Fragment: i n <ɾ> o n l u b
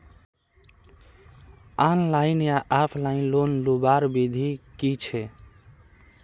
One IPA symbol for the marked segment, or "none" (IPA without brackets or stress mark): l